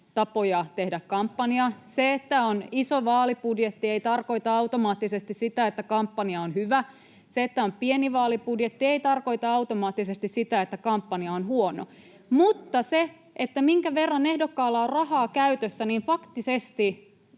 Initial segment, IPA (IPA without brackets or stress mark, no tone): t̪